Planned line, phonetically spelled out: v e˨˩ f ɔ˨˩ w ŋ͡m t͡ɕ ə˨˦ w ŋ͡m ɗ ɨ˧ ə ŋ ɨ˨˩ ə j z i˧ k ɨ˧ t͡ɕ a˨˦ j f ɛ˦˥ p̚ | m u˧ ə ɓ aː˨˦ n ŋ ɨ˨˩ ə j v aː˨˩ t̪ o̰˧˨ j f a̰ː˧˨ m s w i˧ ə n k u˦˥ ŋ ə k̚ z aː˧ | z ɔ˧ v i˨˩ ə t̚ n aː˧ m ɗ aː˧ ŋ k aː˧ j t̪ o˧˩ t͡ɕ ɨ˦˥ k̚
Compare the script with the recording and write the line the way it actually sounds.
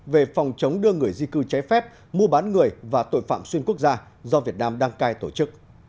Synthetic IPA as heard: v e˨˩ f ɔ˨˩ w ŋ͡m t͡ɕ ə˨˦ w ŋ͡m ɗ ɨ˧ ə ŋ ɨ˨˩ ə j z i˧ k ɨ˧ t͡ɕ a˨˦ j f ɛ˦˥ p̚ | m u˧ ə ɓ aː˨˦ n ŋ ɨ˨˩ ə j v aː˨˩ t̪ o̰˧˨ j f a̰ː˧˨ m s w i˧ ə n k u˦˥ ə k̚ z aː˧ | z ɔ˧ v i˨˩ ə t̚ n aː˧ m ɗ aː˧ ŋ k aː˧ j t̪ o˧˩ t͡ɕ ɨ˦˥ k̚